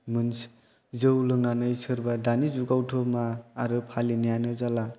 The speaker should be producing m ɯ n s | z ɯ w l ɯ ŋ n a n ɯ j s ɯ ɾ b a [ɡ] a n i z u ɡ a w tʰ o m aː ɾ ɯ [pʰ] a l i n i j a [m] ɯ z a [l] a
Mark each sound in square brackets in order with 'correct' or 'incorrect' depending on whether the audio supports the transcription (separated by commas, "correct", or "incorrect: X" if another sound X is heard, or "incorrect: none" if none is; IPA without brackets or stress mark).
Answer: incorrect: d, correct, incorrect: n, correct